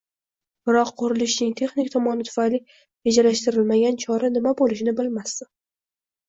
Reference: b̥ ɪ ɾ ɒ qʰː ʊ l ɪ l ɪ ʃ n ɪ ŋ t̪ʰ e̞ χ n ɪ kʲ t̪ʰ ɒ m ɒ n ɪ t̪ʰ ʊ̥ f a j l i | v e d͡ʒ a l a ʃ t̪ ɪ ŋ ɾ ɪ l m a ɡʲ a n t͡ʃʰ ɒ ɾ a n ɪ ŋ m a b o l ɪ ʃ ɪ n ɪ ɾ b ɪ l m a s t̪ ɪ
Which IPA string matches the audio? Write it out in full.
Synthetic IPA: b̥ ɪ ɾ ɒ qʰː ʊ ɾ ɪ l ɪ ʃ n ɪ ŋ t̪ʰ e̞ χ n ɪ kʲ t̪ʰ ɒ m ɒ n ɪ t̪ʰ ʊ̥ f a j l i | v e d͡ʒ a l a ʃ t̪ ɪ ɾ ɪ l m a ɡʲ a n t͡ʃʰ ɒ ɾ a n ɪ m a b o l ɪ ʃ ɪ n ɪ b ɪ l m a s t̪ ɪ